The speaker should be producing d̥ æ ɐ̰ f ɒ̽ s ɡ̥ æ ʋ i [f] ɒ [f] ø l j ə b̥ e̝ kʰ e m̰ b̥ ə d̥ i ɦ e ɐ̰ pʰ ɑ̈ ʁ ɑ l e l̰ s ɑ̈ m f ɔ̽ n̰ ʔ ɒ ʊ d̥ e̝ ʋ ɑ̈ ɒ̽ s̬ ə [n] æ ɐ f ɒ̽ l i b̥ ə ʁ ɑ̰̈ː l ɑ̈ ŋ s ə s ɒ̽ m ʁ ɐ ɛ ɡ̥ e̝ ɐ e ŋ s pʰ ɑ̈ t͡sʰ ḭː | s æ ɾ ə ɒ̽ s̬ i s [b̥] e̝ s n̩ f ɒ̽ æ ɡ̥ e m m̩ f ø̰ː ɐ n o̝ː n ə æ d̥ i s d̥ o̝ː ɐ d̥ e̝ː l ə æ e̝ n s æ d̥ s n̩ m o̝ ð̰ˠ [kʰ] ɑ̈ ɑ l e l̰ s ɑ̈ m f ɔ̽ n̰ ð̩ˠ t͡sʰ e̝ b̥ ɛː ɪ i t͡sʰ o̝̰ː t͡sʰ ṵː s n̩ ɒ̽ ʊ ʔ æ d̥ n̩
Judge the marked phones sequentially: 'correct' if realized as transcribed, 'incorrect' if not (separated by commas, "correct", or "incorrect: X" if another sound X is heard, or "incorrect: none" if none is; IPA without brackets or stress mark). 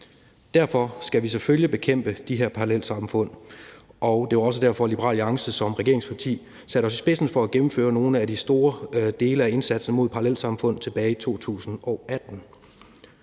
incorrect: s, correct, incorrect: d, correct, incorrect: pʰ